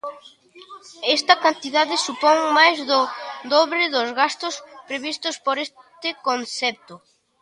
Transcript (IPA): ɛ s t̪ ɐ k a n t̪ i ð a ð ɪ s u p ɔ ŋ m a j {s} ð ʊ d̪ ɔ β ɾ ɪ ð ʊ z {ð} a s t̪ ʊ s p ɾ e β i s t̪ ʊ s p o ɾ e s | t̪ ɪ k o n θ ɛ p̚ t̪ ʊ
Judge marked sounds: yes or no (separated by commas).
no, no